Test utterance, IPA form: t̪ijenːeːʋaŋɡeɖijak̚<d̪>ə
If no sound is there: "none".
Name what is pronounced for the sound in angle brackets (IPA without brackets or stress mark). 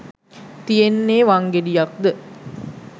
d̪